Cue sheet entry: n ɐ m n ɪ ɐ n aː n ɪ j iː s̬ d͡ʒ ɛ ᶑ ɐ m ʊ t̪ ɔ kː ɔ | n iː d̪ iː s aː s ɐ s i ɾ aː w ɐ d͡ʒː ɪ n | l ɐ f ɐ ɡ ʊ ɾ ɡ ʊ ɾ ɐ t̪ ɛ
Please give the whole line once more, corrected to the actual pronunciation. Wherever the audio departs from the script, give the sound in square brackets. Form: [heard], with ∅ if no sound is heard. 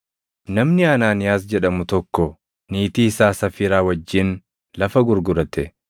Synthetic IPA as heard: n ɐ m n ɪ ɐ n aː n ɪ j [aː] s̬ d͡ʒ ɛ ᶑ ɐ m ʊ t̪ ɔ kː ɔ | n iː [t̪] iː s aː s ɐ [f] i ɾ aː w ɐ d͡ʒː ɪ n | l ɐ f ɐ ɡ ʊ ɾ ɡ ʊ ɾ ɐ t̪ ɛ